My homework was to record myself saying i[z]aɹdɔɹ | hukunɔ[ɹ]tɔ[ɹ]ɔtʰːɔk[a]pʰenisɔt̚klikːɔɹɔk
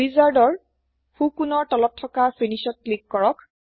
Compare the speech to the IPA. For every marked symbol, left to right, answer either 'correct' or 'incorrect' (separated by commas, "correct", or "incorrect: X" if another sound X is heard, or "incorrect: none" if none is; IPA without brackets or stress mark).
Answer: correct, correct, incorrect: l, correct